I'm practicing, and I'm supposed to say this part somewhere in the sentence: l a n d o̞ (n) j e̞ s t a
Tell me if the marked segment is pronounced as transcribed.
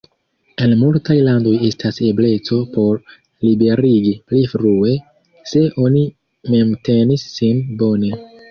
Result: no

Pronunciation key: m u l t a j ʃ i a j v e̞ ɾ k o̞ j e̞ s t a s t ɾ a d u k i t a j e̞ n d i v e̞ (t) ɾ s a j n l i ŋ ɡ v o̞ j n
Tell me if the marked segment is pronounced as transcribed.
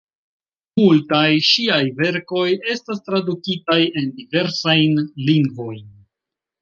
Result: no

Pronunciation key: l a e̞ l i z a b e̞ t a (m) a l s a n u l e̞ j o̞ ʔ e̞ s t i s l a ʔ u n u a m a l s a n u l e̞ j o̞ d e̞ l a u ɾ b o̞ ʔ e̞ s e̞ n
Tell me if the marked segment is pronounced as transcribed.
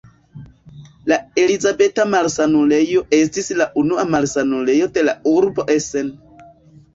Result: yes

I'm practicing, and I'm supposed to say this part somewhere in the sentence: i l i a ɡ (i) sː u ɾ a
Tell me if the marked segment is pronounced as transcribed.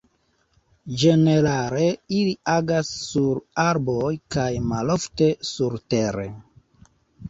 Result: no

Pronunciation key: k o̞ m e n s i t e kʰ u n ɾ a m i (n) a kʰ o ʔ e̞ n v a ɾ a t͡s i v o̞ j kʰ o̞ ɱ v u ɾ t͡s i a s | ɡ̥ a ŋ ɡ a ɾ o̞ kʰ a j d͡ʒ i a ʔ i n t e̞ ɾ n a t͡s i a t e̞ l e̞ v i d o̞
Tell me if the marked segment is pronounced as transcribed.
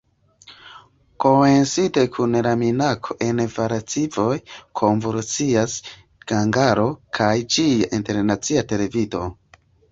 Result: yes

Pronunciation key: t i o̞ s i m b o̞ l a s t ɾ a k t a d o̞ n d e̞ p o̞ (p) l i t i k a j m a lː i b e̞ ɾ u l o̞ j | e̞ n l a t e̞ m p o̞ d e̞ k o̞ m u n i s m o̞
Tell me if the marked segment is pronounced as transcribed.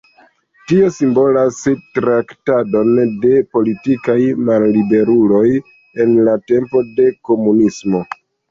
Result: no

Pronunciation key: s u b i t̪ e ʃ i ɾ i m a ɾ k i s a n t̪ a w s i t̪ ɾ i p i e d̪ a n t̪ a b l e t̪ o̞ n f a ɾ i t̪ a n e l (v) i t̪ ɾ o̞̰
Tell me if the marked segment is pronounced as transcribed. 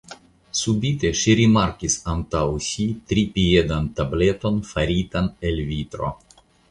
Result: yes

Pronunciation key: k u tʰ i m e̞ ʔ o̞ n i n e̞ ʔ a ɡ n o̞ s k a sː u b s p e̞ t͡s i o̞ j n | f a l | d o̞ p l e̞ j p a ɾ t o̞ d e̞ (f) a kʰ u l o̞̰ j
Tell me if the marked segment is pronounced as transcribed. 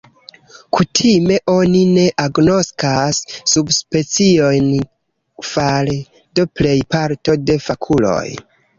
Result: yes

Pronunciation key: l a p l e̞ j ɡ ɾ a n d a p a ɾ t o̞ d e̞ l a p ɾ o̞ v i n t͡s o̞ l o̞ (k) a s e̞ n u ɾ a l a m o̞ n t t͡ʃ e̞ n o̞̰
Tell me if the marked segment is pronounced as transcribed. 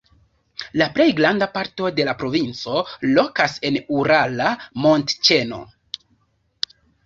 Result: yes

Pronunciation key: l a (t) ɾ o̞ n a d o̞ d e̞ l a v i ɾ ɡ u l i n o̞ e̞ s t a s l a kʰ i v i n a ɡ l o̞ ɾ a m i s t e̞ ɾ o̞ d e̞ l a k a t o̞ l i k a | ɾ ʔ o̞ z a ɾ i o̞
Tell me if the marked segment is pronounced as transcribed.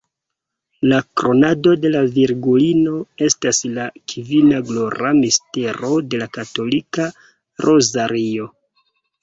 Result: no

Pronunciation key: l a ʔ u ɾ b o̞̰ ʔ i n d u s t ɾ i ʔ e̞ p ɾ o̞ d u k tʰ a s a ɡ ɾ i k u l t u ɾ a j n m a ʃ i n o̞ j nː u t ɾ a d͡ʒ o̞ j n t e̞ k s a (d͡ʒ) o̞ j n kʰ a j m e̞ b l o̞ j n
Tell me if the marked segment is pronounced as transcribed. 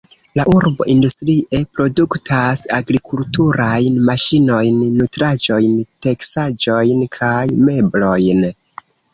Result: yes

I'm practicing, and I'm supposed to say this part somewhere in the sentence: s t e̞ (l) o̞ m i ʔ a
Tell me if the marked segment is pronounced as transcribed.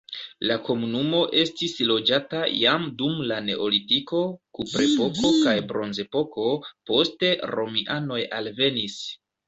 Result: no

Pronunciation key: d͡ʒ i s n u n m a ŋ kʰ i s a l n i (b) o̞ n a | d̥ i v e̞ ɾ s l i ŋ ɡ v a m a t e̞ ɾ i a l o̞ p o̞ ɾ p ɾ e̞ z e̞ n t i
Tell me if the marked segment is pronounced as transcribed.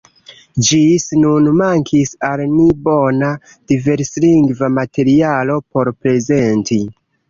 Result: yes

